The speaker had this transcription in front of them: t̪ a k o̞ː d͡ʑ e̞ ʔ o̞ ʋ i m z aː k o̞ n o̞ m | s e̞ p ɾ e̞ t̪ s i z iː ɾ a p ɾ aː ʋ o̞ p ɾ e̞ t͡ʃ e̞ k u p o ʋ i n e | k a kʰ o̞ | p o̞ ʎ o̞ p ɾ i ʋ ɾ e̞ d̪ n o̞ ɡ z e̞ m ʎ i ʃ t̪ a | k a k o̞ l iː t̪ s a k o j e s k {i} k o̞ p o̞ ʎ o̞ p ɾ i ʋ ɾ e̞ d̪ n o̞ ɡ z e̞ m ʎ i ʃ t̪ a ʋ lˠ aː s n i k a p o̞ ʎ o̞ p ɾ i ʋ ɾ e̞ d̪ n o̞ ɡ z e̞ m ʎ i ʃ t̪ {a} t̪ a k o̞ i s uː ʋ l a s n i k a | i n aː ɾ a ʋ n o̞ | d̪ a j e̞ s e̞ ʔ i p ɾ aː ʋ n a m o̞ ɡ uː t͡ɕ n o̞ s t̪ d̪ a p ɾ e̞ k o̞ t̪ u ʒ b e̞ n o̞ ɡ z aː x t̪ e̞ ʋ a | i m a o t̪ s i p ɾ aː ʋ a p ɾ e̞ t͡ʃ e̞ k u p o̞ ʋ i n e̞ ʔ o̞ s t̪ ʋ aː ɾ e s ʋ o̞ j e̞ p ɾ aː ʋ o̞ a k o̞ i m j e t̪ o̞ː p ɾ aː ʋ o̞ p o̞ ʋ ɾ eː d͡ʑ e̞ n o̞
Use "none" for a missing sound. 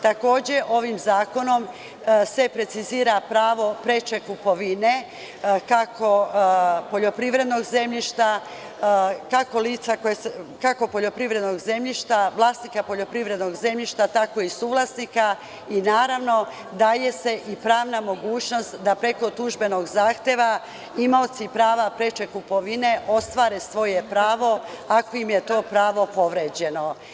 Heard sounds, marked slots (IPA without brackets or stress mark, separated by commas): a, a